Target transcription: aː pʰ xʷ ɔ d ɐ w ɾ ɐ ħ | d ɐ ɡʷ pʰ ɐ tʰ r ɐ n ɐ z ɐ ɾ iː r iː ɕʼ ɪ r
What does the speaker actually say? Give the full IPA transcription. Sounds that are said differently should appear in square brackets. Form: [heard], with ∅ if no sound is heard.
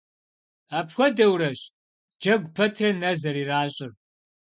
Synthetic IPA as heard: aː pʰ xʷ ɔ d ɐ w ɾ ɐ [ɕ] | [d͡ʒ] ɐ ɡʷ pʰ ɐ tʰ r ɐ n ɐ z ɐ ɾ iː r [aː] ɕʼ ɪ r